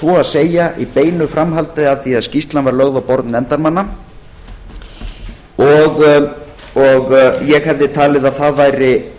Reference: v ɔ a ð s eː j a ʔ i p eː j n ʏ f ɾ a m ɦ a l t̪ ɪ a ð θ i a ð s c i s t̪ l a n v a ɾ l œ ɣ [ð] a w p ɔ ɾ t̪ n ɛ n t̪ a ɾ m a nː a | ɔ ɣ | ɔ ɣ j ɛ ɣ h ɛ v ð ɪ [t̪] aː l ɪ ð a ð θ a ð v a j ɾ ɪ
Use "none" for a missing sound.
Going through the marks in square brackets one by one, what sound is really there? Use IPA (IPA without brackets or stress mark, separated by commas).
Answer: ð, t̪ʰ